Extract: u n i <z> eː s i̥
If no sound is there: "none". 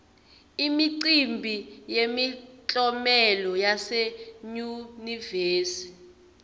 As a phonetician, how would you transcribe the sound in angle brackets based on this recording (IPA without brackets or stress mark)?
v